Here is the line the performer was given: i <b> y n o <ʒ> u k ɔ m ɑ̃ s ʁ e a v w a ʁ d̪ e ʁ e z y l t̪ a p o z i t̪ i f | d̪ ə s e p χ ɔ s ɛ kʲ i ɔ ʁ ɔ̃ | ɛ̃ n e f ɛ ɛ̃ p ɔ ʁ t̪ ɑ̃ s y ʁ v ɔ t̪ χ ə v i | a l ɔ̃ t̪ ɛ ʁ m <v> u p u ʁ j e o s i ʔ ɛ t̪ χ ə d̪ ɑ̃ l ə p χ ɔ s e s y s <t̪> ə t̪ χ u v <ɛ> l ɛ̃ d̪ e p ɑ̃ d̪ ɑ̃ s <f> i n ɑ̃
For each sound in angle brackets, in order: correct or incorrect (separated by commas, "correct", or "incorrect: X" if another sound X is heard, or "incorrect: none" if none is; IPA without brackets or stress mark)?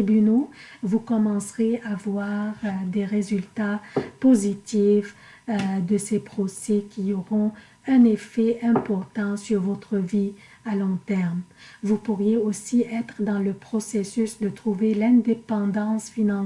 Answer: correct, incorrect: v, correct, incorrect: d̪, incorrect: e, correct